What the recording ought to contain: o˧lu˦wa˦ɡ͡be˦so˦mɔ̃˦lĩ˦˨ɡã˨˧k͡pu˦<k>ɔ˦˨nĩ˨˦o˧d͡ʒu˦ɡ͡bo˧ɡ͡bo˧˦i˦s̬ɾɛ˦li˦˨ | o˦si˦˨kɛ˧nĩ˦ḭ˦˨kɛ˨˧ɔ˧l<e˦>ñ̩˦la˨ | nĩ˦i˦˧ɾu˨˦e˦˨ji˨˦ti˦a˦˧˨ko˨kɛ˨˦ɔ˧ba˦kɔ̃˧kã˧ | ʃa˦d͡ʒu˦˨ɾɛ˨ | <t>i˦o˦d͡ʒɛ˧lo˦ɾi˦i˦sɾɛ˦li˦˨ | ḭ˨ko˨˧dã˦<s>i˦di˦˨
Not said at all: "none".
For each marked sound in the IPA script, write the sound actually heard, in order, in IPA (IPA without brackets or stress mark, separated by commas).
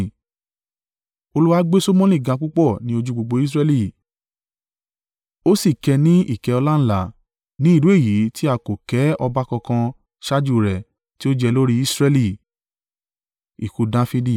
k͡p, a˦, t, f